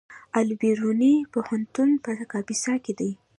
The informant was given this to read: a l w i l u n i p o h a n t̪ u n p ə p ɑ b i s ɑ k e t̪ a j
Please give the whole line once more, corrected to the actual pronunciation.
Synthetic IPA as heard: a l b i ɾ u n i p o h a n t̪ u n p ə k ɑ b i s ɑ k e d̪ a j